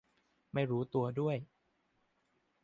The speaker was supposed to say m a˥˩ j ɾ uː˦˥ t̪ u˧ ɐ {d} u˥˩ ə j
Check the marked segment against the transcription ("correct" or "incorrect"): correct